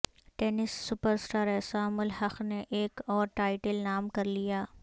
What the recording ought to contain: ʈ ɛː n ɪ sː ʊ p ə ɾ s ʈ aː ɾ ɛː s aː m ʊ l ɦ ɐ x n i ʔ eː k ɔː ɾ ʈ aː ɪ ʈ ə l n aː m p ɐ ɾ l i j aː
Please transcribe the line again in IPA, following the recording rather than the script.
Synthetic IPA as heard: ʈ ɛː n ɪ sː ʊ p ə ɾ s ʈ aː ɾ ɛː s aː m ʊ l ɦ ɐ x n e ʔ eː k ɔː ɾ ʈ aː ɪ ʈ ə l n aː m k ɐ ɾ l i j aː